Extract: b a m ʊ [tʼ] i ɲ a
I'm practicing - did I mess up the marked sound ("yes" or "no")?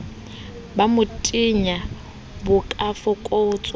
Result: no